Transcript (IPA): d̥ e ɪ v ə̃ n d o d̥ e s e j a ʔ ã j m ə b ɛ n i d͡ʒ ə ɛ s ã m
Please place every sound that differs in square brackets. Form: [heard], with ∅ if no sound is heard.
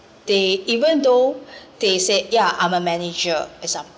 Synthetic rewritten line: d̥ e [i] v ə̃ n d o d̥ e s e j a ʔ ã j m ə [m] ɛ n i d͡ʒ ə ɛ s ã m